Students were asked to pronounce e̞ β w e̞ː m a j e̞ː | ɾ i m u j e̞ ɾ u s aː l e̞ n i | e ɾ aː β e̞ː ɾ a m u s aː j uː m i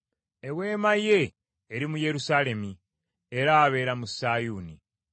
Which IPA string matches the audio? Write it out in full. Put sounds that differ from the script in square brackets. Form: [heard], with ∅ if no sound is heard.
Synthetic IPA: e̞ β w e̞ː m a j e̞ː | ɾ i m u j e̞ ɾ u s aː l e̞ [m] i | e ɾ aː β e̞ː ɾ a m u s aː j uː [n] i